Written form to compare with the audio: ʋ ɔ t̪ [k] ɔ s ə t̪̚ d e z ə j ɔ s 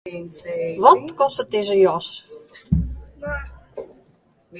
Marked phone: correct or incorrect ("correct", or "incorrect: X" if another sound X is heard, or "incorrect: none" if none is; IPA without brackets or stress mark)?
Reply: correct